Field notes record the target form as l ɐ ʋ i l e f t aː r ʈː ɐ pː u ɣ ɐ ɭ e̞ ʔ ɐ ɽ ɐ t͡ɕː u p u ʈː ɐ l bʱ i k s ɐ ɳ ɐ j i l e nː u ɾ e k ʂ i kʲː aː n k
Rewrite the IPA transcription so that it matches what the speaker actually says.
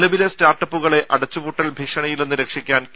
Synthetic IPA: l ɐ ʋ i l e s t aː r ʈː ɐ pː u ɣ ɐ ɭ e̞ ʔ ɐ ɽ ɐ t͡ɕː u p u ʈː ɐ l bʱ i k ʂ ɐ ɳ ɐ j i l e nː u ɾ e k ʂ i kʲː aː n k